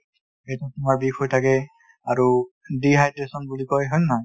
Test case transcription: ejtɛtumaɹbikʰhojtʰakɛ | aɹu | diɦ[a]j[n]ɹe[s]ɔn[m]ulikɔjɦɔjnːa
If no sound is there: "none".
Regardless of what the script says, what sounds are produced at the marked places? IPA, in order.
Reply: a, d, s, b

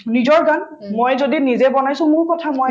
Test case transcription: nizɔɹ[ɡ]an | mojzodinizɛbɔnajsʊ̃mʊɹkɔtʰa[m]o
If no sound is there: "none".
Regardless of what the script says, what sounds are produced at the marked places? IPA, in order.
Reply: ɡ, m

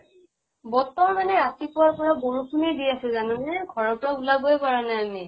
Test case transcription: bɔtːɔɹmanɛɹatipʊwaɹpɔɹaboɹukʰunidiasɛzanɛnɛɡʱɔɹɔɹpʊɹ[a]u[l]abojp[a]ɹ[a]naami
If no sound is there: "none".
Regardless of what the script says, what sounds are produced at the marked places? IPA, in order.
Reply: a, l, a, a

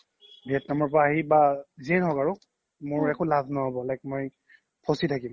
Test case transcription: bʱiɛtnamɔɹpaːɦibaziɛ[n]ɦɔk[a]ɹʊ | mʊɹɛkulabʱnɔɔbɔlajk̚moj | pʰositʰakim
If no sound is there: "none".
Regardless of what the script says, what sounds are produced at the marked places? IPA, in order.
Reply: n, a

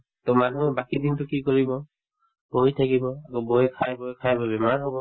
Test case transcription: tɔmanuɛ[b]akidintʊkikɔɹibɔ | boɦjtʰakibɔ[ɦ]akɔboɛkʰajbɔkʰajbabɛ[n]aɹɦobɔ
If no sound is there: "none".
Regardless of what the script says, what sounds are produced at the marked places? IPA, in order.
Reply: b, none, m

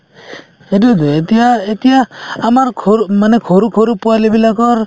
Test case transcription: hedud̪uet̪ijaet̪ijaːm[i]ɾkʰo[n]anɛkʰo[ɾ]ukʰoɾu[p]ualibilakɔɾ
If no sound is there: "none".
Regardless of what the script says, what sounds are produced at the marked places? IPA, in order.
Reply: a, m, ɾ, p

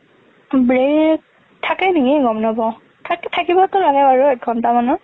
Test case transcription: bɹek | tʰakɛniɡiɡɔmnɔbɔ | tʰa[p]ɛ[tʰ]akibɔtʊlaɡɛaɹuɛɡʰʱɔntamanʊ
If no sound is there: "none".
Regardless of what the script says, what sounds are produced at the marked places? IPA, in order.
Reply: k, tʰ

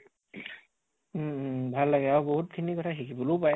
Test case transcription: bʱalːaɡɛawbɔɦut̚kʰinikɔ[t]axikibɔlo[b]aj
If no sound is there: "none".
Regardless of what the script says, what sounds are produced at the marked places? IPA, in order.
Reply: tʰ, p

